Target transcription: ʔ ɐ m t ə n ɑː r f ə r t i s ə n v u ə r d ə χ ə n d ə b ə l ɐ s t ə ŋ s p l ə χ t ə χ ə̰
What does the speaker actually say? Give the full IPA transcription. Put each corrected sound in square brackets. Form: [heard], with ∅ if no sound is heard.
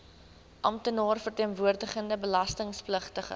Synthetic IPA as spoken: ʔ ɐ m t ə n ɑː r f ə r t i [∅] ə n v u ə r d ə χ ə n d ə b ə l ɐ s t ə ŋ s p l ə χ t ə χ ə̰